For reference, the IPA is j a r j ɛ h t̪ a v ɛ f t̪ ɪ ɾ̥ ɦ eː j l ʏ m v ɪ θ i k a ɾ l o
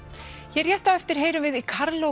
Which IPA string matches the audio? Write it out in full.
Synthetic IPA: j ɛ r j ɛ h t̪ a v ɛ f t̪ ɪ ɾ̥ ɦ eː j ɾ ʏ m v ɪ ð i kʰ a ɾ l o

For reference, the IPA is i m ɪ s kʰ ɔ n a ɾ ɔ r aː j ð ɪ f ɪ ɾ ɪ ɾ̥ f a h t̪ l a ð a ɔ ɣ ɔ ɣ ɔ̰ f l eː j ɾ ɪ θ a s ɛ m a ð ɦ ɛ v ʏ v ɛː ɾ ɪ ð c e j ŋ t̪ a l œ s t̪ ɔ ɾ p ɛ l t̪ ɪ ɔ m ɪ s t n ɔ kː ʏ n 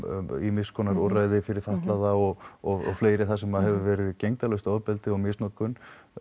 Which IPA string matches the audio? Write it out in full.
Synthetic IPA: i m ɪ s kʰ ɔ n a ɾ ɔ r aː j ð ɪ f ɪ ɾ ɪ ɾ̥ f a h t̪ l a ð a ɔ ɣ ɔ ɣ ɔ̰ f l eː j ɾ ɪ θ a s ɛ m a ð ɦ ɛ v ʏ v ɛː ɾ ɪ ð c e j ŋ t̪ a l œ s t̪ ɔ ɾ p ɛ l t̪ ɪ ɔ m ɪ s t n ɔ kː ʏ n

